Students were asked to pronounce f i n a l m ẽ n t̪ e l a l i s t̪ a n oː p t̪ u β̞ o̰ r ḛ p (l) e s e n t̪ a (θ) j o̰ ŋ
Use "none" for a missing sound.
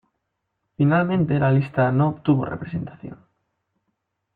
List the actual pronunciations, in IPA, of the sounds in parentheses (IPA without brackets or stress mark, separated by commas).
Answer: ɾ, θ